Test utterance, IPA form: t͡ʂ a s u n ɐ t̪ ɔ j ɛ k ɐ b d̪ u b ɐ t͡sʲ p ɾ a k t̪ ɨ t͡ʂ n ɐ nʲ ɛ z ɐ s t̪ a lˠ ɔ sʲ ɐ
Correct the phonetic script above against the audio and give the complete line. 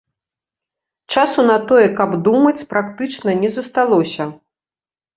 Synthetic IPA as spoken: t͡ʂ a s u n ɐ t̪ ɔ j ɛ k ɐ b d̪ u m ɐ t͡sʲ p ɾ a k t̪ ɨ t͡ʂ n ɐ nʲ ɛ z ɐ s t̪ a lˠ ɔ sʲ ɐ

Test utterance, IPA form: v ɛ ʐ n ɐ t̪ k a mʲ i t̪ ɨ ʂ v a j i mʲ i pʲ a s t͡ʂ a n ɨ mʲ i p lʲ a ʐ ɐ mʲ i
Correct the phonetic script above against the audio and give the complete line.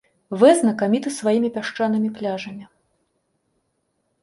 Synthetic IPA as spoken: v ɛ z n ɐ k a mʲ i t̪ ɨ s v a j i mʲ i pʲ a ʂ t͡ʂ a n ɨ mʲ i p lʲ a ʐ ɐ mʲ i

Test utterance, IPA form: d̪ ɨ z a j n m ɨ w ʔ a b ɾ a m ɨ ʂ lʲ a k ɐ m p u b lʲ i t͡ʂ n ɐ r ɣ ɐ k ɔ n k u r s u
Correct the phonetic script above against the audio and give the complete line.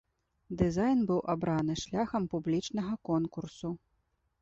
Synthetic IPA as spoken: d̪ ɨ z a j n b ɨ w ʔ a b ɾ a n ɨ ʂ lʲ a x ɐ m p u b lʲ i t͡ʂ n ɐ ɣ ɐ k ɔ n k u r s u

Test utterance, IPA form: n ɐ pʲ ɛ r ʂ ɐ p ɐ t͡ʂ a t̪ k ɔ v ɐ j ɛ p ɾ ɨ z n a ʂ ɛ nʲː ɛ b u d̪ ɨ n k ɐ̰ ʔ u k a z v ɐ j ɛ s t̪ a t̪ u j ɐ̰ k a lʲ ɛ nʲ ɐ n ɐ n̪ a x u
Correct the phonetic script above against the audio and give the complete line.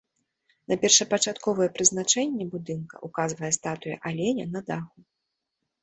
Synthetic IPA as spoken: n ɐ pʲ ɛ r ʂ ɐ p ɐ t͡ʂ a t̪ k ɔ v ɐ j ɛ p ɾ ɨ z n a t͡ʂ ɛ nʲː ɛ b u d̪ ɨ n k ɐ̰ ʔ u k a z v ɐ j ɛ s t̪ a t̪ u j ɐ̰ ʔ a lʲ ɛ nʲ ɐ n ɐ d̪ a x u

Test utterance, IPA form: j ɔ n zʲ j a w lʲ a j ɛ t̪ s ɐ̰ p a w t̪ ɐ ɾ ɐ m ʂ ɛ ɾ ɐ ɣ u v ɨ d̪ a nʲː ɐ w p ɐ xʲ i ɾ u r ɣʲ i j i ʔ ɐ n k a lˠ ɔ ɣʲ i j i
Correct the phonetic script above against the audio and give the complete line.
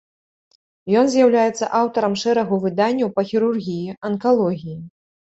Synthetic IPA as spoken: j ɔ n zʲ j a w lʲ a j ɛ t̪ s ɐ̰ ʔ a w t̪ ɐ ɾ ɐ m ʂ ɛ ɾ ɐ ɣ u v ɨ d̪ a nʲː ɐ w p ɐ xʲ i ɾ u r ɣʲ i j i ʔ ɐ n k a lˠ ɔ ɣʲ i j i

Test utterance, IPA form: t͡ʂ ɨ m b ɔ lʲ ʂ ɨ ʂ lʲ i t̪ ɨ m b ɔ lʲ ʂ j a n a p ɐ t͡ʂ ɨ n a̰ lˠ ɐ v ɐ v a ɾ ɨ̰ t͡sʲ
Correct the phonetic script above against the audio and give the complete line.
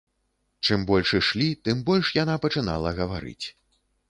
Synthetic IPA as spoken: t͡ʂ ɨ m b ɔ lʲ ʂ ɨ ʂ lʲ i t̪ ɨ m b ɔ lʲ ʂ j a n a p ɐ t͡ʂ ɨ n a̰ lˠ ɐ ɣ ɐ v a ɾ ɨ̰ t͡sʲ

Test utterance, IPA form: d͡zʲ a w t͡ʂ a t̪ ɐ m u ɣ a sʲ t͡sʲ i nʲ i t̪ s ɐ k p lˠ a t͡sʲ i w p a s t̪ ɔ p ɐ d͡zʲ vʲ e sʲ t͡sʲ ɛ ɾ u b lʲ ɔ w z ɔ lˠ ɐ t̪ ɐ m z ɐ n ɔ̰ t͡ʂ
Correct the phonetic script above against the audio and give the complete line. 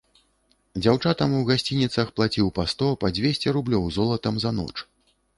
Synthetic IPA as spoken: d͡zʲ a w t͡ʂ a t̪ ɐ m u ɣ a sʲ t͡sʲ i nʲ i t̪ s ɐ x p lˠ a t͡sʲ i w p a s t̪ ɔ p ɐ d͡zʲ vʲ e sʲ t͡sʲ ɛ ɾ u b lʲ ɔ w z ɔ lˠ ɐ t̪ ɐ m z ɐ n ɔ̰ t͡ʂ

